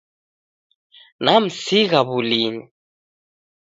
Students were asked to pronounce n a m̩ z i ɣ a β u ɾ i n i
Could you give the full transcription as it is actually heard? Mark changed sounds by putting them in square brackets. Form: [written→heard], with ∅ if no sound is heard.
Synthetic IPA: n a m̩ [z→s] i ɣ a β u [ɾ→l] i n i